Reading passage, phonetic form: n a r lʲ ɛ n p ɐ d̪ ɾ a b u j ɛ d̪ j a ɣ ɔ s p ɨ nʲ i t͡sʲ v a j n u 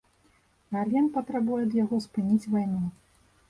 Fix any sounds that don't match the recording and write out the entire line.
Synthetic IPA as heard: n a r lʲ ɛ n p ɐ t̪ ɾ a b u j ɛ d̪ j a ɣ ɔ s p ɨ nʲ i t͡sʲ v a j n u